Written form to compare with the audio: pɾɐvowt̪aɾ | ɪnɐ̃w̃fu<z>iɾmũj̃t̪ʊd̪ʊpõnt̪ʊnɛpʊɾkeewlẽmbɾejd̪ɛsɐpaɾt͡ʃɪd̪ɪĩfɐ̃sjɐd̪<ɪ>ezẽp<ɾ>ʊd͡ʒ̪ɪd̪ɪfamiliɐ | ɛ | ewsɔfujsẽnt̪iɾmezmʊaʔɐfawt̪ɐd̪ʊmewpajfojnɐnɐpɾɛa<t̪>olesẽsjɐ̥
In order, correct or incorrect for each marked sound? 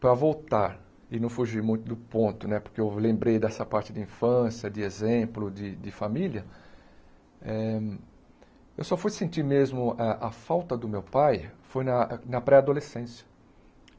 incorrect: ʒ, correct, incorrect: l, incorrect: d̪

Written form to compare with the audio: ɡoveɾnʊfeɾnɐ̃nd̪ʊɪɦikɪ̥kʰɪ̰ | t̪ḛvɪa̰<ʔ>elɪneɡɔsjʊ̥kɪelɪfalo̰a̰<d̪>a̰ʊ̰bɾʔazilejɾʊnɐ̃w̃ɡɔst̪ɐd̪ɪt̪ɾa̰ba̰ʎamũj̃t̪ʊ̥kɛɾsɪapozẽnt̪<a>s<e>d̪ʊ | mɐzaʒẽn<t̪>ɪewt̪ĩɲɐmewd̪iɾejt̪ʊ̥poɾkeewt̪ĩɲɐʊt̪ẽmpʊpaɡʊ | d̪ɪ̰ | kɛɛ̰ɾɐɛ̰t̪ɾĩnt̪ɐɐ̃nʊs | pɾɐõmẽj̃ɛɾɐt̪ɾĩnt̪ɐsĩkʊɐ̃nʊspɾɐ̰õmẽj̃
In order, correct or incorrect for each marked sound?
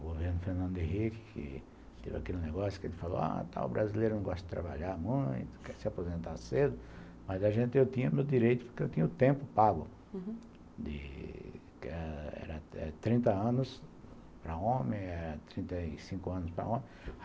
incorrect: k, incorrect: t̪, correct, correct, correct

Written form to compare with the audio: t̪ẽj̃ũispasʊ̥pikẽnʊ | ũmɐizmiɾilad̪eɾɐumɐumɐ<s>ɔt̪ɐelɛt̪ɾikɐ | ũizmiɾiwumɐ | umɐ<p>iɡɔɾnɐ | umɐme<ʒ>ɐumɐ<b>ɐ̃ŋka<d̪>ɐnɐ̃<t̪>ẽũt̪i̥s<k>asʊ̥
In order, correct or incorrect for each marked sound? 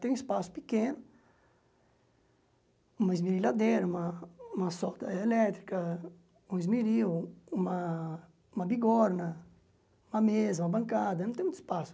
correct, incorrect: b, incorrect: z, correct, correct, correct, incorrect: p

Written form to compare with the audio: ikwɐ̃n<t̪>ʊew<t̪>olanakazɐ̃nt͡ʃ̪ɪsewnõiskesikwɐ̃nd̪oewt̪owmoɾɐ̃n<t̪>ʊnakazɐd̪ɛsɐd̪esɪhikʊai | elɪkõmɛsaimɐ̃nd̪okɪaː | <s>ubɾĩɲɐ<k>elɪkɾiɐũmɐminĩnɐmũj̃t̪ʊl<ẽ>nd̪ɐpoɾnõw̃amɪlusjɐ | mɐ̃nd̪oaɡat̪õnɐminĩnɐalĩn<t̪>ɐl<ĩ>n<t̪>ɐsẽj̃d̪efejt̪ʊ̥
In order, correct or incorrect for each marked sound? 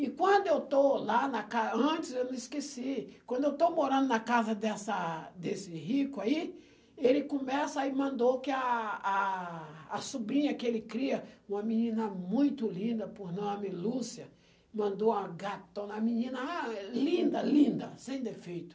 incorrect: d̪, correct, incorrect: d̪, correct, correct, incorrect: ĩ, incorrect: d̪, correct, incorrect: d̪

